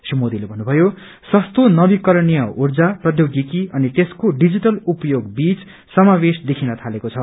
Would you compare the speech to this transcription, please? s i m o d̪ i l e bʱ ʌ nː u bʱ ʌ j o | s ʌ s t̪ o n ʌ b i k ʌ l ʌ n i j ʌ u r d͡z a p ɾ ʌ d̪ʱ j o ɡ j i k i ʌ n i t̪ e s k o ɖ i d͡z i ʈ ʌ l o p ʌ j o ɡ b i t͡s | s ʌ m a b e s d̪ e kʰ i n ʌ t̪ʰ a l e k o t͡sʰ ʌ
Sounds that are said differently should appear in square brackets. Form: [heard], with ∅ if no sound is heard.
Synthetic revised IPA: s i m o d̪ i l e bʱ ʌ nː u bʱ ʌ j o | s ʌ s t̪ o n ʌ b i k ʌ [ɾ] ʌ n i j ʌ u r d͡z a p [r] ʌ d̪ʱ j o ɡ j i k i ʌ n i t̪ e s k o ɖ i d͡z i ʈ ʌ l [u] p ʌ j o ɡ b i t͡s | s ʌ m a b e s d̪ e kʰ i n ʌ t̪ʰ a l e k o t͡sʰ ʌ

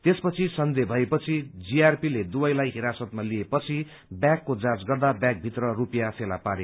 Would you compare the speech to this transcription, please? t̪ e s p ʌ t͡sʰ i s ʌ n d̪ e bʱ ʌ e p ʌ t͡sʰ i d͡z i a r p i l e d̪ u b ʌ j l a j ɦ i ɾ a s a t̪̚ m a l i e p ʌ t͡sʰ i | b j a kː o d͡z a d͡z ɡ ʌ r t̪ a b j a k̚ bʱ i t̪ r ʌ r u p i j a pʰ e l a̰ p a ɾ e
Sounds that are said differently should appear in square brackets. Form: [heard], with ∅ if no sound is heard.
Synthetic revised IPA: t̪ e s p ʌ t͡sʰ i s ʌ n d̪ e bʱ ʌ e p ʌ t͡sʰ i d͡z i a r p i l e d̪ u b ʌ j l a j ɦ i ɾ a s [ʌ] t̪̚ m a l i e p ʌ t͡sʰ i | b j a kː o d͡z a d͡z ɡ ʌ r [d̪] a b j a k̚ bʱ i t̪ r ʌ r u p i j a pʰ e l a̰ p a ɾ e

